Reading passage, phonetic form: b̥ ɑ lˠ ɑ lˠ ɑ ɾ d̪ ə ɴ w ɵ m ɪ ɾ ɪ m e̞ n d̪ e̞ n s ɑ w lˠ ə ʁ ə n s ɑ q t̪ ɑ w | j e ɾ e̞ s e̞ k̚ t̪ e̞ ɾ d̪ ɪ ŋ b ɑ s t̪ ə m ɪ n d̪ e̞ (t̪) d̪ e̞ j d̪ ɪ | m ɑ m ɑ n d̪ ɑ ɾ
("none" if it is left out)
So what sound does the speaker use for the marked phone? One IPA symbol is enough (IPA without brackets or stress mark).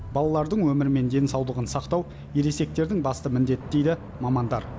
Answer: t̪